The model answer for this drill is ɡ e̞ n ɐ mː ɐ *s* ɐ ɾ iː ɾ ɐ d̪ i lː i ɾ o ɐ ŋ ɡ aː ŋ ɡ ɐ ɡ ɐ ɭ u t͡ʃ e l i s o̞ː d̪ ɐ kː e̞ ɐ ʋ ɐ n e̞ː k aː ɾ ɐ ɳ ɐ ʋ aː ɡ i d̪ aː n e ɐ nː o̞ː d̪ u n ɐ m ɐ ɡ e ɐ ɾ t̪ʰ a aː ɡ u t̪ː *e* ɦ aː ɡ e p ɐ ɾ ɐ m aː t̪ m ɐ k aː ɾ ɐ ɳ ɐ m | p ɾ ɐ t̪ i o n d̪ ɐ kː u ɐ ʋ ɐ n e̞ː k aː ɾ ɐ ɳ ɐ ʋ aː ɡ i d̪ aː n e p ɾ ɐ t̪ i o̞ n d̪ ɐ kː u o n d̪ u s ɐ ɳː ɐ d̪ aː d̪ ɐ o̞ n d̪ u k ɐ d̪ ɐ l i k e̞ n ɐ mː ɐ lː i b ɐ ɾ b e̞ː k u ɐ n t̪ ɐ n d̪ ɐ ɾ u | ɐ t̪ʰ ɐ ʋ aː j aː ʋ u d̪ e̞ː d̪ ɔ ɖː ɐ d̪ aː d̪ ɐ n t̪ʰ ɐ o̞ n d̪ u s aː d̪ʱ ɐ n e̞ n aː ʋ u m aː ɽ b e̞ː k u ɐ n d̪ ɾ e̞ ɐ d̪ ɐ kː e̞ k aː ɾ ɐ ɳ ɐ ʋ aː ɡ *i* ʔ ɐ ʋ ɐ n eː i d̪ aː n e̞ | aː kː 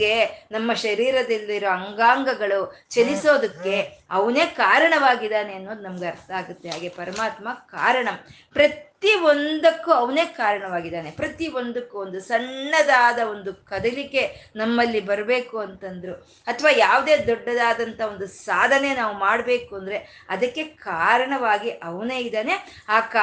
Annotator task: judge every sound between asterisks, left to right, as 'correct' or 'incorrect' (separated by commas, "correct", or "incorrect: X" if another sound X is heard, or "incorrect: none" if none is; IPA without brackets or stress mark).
incorrect: ʃ, correct, correct